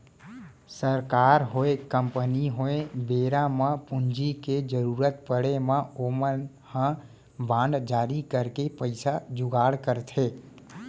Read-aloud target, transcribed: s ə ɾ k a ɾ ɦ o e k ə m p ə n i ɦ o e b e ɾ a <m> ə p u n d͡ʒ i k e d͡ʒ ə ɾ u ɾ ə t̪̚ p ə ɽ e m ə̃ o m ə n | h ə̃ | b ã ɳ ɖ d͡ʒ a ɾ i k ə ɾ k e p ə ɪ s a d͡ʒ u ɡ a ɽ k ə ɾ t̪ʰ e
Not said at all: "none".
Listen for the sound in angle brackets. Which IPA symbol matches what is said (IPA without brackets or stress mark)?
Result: m